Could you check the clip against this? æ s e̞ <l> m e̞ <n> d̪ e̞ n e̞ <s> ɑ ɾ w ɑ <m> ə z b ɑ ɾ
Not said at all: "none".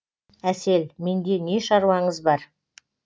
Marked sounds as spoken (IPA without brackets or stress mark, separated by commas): l, n, ʃ, ɴ